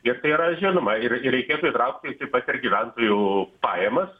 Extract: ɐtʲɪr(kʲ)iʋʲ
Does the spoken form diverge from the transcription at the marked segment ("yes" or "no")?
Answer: yes